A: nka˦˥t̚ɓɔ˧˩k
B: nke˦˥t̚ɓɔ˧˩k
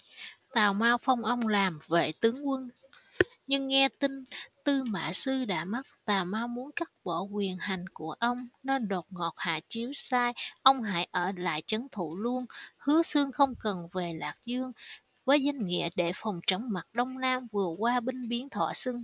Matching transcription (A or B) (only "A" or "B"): A